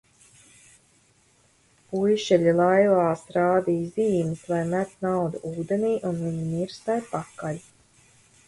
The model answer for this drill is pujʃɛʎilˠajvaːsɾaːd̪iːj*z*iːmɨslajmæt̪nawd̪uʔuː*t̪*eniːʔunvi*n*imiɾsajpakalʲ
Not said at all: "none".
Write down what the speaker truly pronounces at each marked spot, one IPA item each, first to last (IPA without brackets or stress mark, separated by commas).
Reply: z, d̪, ɲ